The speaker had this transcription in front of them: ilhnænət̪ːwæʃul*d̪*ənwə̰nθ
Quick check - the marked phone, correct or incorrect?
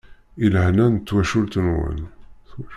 incorrect